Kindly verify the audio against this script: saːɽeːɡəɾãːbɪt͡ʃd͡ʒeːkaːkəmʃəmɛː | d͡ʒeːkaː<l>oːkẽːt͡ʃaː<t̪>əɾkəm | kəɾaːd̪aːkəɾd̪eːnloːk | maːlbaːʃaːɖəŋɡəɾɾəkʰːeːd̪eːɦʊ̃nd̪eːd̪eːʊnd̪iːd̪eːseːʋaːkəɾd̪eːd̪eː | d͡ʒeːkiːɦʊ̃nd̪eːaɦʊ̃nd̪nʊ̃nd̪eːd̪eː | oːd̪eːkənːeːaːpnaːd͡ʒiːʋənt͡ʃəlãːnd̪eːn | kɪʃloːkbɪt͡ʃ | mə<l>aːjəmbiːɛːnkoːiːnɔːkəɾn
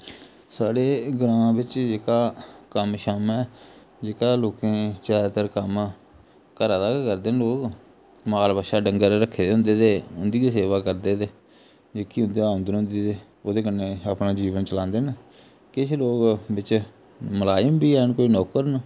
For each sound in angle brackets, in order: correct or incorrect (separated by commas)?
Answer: correct, correct, correct